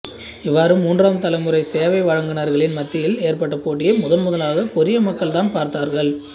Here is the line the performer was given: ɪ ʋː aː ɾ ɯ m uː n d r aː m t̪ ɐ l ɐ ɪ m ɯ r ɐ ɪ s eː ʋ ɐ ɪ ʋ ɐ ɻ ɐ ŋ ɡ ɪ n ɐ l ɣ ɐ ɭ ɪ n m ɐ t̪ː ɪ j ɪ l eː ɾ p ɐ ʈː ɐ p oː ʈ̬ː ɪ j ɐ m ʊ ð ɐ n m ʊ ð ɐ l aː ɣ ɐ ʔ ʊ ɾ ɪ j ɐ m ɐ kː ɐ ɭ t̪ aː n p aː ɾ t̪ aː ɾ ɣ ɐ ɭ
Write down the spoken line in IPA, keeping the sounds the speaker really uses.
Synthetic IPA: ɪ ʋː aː ɾ ɯ m uː n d r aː m t̪ ɐ l ɐ ɪ m ɯ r ɐ ɪ s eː ʋ ɐ ɪ ʋ ɐ ɻ ɐ ŋ ɡ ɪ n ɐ ɾ ɣ ɐ ɭ ɪ n m ɐ t̪ː ɪ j ɪ l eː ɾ p ɐ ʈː ɐ p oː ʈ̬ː ɪ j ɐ m ʊ ð ɐ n m ʊ ð ɐ l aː ɣ ɐ k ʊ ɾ ɪ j ɐ m ɐ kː ɐ ɭ t̪ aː n p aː ɾ t̪ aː ɾ ɣ ɐ ɭ